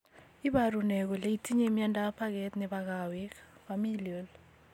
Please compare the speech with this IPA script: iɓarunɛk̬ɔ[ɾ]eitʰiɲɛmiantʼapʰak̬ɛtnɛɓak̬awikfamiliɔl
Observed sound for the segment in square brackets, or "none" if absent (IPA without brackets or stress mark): l